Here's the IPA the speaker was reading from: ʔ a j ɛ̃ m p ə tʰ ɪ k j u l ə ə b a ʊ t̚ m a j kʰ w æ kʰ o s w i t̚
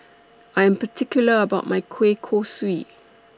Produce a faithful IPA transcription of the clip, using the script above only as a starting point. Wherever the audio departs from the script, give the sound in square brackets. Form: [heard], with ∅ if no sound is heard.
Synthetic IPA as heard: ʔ a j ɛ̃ m p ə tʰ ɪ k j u l ə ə b a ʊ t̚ m a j kʰ w [e] kʰ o s w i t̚

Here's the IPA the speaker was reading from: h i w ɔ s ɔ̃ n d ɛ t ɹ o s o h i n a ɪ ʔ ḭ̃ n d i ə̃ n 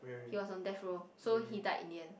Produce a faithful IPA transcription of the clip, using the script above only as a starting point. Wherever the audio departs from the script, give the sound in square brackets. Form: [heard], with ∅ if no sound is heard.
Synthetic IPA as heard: h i w ɔ s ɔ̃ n d ɛ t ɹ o s o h i [d] a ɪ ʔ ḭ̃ n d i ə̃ n

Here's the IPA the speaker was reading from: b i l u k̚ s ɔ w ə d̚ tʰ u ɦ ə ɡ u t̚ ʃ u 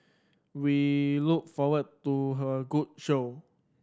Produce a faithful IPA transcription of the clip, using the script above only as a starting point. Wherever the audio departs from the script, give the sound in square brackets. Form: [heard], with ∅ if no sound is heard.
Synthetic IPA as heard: [w] i l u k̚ [f] ɔ w ə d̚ [t] u ɦ ə ɡ u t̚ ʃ [o]

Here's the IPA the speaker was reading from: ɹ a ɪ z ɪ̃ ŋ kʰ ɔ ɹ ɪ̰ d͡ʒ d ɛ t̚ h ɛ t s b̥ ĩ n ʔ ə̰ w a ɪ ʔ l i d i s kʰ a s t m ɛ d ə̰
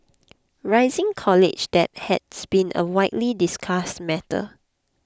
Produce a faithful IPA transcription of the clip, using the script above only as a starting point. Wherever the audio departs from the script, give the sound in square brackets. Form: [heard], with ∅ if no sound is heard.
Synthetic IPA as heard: ɹ a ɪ z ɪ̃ ŋ kʰ ɔ [l] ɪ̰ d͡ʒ d ɛ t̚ h ɛ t s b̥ ĩ n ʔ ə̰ w a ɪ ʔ l i d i s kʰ a s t m ɛ [t] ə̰

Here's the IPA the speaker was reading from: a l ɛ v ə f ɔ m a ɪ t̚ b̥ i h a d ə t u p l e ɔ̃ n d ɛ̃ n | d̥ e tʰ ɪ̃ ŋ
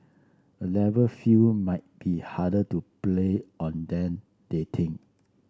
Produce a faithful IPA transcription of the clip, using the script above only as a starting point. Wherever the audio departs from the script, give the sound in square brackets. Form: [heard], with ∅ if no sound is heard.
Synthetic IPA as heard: [ə] l ɛ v ə f [u] m a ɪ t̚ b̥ i h a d ə t u p l e ɔ̃ n d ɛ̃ n | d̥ e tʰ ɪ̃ ŋ

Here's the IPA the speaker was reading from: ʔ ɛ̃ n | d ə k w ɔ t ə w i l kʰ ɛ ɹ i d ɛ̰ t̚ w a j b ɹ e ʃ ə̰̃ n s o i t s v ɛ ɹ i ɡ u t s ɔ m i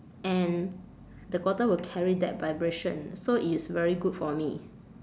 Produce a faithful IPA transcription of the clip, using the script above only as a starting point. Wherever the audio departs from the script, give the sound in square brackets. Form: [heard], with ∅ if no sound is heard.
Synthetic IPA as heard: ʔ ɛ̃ n | d ə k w ɔ t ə w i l kʰ ɛ ɹ i d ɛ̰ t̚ [v] a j b ɹ e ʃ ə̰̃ n s o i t s v ɛ ɹ i ɡ u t [f] ɔ m i

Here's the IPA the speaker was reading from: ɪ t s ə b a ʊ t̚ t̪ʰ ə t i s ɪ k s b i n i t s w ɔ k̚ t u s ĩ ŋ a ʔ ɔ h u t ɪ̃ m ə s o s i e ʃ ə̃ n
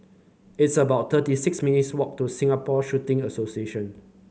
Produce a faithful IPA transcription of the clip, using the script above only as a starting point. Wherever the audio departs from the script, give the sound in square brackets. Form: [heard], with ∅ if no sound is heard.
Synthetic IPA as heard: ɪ t s ə b a ʊ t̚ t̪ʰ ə t i s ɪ k s [m] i n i t s w ɔ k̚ t u s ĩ ŋ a [p] ɔ [ʃ] u t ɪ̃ [ŋ] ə s o s i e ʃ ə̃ n

